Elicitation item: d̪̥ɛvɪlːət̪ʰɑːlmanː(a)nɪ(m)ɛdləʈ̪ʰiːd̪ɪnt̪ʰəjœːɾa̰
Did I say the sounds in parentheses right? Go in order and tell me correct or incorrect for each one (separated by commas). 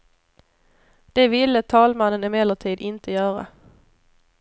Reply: incorrect, correct